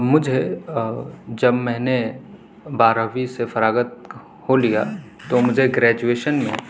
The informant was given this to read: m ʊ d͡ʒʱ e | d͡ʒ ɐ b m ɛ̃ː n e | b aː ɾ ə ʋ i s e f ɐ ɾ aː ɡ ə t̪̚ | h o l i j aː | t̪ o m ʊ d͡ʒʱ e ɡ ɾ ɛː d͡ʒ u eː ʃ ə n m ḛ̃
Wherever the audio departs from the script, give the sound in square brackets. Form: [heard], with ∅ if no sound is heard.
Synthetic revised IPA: m ʊ d͡ʒʱ e | d͡ʒ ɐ b m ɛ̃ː n e | b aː ɾ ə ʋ i s e f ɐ ɾ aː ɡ ə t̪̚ | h o l i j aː | t̪ o m ʊ d͡ʒʱ e ɡ ɾ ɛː d͡ʒ u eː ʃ ə n m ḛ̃